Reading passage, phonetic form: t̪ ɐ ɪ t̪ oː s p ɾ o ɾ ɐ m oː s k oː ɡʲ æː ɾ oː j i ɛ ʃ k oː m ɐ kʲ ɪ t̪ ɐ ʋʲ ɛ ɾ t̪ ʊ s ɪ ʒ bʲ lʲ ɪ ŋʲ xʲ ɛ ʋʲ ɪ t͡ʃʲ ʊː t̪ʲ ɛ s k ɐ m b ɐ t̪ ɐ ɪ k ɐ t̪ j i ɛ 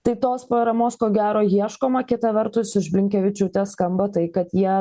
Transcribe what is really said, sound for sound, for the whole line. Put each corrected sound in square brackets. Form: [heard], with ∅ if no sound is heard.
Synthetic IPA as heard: t̪ ɐ ɪ t̪ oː s p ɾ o ɾ ɐ m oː s k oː ɡʲ æː ɾ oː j i ɛ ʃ k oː m ɐ kʲ ɪ t̪ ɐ ʋʲ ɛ ɾ t̪ ʊ s ɪ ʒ bʲ lʲ ɪ ŋʲ [kʲ] ɛ ʋʲ ɪ t͡ʃʲ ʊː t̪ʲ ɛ s k ɐ m b ɐ t̪ ɐ ɪ k ɐ t̪ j i ɛ